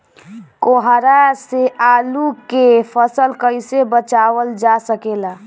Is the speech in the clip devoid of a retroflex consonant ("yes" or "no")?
yes